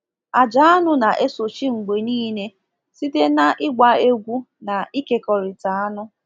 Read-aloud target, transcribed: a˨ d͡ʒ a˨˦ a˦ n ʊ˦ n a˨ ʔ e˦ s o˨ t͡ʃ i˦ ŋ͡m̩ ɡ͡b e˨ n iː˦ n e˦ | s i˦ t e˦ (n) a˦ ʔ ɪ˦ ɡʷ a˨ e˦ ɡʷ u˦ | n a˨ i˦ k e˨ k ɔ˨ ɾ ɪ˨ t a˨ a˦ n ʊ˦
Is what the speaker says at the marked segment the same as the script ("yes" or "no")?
yes